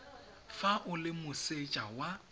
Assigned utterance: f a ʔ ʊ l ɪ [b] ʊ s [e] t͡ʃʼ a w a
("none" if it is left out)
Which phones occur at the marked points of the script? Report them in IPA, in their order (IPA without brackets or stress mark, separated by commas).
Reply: m, e